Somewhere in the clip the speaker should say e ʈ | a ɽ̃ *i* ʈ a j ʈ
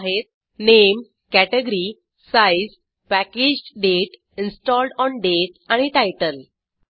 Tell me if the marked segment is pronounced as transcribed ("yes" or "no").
yes